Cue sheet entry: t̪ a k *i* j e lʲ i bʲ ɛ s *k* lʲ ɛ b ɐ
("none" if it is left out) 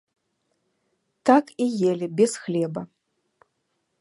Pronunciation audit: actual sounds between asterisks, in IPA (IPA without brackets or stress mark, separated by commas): i, x